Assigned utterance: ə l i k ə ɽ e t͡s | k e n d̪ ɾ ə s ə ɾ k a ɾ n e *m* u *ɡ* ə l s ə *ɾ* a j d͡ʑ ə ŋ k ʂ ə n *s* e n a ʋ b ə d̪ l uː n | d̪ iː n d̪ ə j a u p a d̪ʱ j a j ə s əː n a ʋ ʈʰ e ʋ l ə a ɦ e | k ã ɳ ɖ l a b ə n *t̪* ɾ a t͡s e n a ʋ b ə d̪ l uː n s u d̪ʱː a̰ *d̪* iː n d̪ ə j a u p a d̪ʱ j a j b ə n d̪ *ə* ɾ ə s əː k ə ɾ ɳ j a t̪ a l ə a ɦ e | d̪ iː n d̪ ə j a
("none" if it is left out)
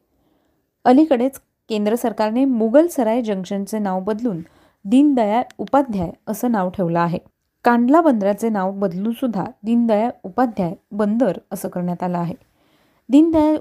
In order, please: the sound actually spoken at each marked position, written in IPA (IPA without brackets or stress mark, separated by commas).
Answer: m, ɡ, ɾ, t͡s, d̪, d̪, ə